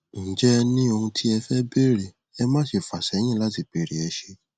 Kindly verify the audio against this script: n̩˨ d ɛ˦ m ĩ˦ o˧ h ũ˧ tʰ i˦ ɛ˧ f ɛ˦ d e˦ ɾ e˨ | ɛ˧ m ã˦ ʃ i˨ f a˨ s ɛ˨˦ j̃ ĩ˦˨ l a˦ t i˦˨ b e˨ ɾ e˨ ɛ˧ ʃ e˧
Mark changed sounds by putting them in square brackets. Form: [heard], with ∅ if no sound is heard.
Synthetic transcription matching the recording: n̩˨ [d͡ʒ] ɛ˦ [n] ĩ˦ o˧ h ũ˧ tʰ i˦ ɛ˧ f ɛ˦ [b] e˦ ɾ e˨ | ɛ˧ m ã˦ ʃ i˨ f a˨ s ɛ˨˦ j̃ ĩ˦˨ l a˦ t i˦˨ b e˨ ɾ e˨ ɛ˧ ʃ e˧